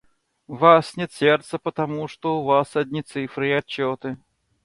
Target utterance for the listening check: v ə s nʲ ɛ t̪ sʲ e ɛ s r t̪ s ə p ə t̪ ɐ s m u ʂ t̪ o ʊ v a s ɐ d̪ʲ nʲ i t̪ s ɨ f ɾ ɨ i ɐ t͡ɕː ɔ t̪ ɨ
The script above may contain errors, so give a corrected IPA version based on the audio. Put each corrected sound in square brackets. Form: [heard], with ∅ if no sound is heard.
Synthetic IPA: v [a] s nʲ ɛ t̪ sʲ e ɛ [∅] r t̪ s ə p ə t̪ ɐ [∅] m u ʂ t̪ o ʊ v a s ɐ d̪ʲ nʲ i t̪ s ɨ f ɾ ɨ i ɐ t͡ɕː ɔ t̪ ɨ